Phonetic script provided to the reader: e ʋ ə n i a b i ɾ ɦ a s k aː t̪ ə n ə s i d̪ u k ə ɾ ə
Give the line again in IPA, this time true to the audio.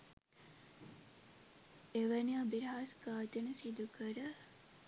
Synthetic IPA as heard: e ʋ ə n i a b i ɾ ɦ a s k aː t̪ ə n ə s i d̪ u k ə ɾ ə